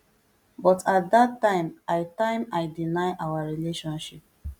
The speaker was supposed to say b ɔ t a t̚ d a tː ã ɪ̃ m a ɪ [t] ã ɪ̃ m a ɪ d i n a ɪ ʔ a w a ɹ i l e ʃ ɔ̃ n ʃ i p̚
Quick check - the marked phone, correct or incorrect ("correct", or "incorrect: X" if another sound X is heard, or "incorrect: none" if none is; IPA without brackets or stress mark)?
correct